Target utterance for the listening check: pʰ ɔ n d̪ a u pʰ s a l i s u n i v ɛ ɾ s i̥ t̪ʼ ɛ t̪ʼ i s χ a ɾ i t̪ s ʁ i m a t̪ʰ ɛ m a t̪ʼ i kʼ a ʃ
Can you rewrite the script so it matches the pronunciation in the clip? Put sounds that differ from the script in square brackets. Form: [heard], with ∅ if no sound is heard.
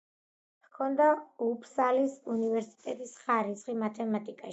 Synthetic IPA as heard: [kʰ] ɔ n d̪ a u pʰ s a l i s u n i v ɛ ɾ s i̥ t̪ʼ ɛ t̪ʼ i s χ a ɾ i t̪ s [χ] i m a t̪ʰ ɛ m a t̪ʼ i kʼ a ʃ